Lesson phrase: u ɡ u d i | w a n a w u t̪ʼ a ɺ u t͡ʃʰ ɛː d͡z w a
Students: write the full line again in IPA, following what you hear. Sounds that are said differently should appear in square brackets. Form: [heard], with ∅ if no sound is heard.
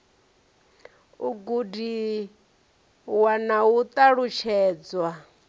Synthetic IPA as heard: u ɡ u d i | w a n a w u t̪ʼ a ɺ u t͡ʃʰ ɛː d͡z w a